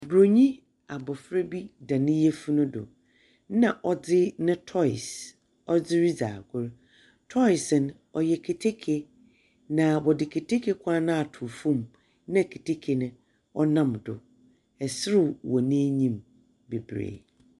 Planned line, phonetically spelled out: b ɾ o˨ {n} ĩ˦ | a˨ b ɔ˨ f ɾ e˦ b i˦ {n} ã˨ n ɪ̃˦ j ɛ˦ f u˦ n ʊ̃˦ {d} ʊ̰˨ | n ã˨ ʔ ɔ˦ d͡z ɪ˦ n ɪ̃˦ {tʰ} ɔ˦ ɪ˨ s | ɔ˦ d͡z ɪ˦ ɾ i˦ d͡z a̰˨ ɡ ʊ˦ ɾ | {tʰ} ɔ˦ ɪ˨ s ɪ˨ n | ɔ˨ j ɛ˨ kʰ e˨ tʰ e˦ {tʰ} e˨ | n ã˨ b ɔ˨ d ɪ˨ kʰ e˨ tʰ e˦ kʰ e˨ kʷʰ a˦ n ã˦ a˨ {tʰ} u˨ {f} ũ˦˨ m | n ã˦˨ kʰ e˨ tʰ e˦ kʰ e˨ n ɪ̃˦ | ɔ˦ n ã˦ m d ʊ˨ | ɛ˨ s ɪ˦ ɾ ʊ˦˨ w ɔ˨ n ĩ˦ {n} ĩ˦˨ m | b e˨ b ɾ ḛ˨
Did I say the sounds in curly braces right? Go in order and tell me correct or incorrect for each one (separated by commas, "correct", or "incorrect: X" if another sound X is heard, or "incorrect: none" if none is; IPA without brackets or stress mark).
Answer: incorrect: ɲ, incorrect: d, correct, correct, correct, incorrect: kʰ, correct, correct, incorrect: ɲ